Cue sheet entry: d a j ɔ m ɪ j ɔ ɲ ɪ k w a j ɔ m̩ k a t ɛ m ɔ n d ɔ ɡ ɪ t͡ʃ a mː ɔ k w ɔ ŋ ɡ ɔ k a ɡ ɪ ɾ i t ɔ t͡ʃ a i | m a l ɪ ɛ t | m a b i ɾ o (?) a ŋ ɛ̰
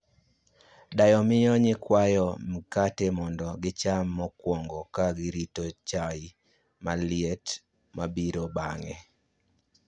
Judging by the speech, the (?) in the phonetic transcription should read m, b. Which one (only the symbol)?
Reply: b